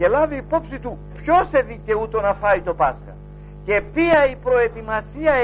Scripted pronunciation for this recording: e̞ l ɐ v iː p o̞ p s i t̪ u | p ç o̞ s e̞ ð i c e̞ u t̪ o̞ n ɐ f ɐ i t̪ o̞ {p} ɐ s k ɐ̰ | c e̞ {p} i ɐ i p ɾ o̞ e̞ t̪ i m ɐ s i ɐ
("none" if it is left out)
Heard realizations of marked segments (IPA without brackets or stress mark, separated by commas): p, p